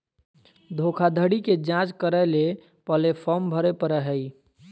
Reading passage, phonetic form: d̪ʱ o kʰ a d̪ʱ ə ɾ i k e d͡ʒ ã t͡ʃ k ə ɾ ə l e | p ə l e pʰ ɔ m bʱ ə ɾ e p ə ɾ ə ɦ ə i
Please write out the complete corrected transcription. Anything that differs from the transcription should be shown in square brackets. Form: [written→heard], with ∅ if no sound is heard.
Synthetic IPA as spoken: d̪ʱ o kʰ a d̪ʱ ə [ɾ→ɽ] i k e d͡ʒ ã t͡ʃ k ə ɾ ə l e | p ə l e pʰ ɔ m bʱ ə ɾ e p ə ɾ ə ɦ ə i